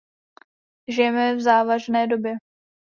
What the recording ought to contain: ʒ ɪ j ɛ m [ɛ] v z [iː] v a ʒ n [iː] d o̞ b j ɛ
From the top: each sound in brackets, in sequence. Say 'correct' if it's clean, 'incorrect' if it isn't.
correct, incorrect, incorrect

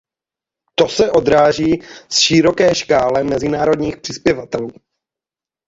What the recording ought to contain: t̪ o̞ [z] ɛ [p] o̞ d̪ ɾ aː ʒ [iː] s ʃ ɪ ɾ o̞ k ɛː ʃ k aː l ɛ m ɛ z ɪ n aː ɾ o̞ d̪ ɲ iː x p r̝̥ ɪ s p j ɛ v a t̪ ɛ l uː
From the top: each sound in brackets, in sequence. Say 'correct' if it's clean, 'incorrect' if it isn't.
incorrect, incorrect, correct

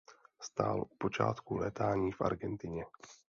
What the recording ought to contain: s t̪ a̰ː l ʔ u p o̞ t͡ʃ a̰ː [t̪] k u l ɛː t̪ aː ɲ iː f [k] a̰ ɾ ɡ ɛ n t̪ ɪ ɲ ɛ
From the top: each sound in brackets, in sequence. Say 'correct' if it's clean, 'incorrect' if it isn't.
correct, incorrect

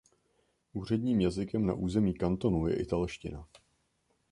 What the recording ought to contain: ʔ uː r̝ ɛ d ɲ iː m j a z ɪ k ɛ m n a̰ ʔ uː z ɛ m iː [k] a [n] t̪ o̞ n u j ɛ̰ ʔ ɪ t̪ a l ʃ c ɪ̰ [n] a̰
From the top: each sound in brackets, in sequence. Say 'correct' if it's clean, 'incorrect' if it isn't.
correct, correct, correct

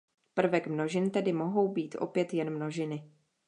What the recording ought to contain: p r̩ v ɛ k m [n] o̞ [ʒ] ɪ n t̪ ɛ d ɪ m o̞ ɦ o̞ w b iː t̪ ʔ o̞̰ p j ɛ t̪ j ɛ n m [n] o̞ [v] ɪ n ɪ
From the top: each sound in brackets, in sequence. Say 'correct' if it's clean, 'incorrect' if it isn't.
correct, correct, correct, incorrect

